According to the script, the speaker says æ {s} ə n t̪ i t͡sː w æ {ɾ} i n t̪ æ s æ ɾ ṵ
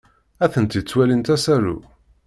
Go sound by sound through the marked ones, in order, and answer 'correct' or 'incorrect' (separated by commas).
incorrect, incorrect